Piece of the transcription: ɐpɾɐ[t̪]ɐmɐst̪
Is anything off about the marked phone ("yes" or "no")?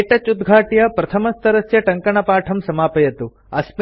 yes